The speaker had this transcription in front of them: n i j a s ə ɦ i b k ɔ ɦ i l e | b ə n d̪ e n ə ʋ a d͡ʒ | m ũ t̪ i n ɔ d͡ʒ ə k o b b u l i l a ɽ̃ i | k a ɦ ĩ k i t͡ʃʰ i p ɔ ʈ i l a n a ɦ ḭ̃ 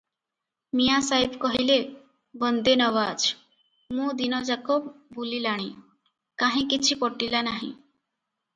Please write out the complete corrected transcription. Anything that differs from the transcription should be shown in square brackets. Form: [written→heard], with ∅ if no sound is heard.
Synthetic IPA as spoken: [n→m] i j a s [ə→a] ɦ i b k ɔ ɦ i l e | b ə n d̪ e n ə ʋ a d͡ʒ | m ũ [t̪→d̪] i n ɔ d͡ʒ [ə→a] k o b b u l i l a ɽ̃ i | k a ɦ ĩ k i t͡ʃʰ i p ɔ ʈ i l a n a ɦ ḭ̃